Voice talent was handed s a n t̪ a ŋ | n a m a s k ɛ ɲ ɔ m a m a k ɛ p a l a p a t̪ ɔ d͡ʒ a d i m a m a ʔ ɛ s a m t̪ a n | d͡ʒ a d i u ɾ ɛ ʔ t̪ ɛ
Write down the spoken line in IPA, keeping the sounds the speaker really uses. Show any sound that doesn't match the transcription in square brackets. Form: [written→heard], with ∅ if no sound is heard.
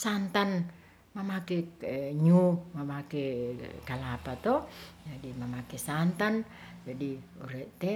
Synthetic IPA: s a n t̪ a [ŋ→n] | [n→m] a m a [s→∅] k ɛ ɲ [ɔ→u] m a m a k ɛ [p→k] a l a p a t̪ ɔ d͡ʒ a d i m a m a [ʔ→k] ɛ s a [m→n] t̪ a n | d͡ʒ a d i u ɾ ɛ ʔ t̪ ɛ